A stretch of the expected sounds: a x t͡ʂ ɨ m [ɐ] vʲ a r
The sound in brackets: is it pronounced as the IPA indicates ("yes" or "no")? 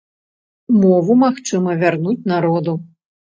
yes